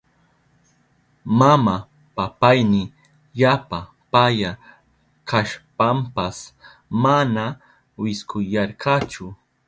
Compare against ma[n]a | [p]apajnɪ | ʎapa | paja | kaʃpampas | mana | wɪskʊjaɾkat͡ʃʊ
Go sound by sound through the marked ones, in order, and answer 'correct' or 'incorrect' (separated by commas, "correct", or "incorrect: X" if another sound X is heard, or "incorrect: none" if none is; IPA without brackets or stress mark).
incorrect: m, correct